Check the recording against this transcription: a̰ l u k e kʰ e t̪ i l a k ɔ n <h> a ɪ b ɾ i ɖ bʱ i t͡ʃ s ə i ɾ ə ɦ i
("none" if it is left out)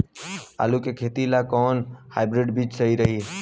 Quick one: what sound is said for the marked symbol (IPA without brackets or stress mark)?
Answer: h